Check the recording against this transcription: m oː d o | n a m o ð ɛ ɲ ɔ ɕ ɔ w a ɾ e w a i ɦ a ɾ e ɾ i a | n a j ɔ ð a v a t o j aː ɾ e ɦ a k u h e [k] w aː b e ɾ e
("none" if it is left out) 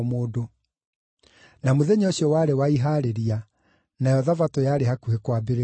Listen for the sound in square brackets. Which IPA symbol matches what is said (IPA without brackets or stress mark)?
k